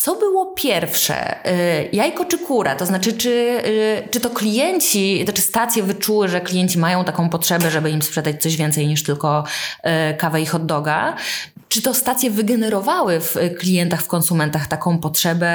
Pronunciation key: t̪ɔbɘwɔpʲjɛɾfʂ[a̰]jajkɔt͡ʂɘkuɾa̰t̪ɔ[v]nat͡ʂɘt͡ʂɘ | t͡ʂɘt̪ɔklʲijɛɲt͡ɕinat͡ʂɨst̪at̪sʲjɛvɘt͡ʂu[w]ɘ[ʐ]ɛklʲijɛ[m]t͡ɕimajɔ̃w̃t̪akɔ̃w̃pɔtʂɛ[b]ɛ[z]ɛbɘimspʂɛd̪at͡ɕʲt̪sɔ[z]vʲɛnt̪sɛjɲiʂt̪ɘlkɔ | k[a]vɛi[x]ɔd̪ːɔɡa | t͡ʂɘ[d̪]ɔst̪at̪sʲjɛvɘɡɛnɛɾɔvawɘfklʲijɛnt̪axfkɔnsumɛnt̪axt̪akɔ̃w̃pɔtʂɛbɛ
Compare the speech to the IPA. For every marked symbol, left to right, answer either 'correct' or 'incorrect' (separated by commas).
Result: incorrect, incorrect, correct, correct, incorrect, correct, incorrect, incorrect, correct, correct, incorrect